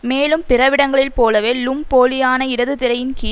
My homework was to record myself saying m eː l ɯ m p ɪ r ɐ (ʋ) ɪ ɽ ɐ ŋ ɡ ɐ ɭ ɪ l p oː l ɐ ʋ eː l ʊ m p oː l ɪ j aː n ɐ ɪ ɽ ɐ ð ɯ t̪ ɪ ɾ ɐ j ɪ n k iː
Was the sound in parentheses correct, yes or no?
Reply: yes